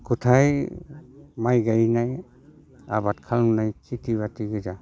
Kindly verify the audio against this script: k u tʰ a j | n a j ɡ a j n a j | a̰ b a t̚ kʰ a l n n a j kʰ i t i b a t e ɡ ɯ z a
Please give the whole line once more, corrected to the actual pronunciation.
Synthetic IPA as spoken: k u tʰ a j | m a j ɡ a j n a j | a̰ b a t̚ kʰ a l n n a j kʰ i t i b a t i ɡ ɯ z a